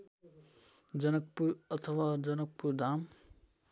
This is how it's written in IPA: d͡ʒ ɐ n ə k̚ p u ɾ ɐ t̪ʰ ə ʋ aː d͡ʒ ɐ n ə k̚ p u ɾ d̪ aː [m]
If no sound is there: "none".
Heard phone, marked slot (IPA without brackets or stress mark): m